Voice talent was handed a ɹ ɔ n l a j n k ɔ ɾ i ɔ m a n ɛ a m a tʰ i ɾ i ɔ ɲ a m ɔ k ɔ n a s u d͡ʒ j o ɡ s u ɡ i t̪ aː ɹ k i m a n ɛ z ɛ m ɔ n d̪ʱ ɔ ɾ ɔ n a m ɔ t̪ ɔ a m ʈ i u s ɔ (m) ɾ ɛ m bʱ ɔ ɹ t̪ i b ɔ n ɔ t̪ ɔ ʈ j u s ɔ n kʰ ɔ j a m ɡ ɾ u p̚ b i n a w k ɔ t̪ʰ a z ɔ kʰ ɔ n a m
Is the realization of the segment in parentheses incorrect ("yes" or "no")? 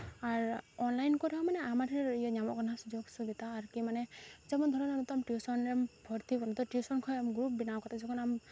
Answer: yes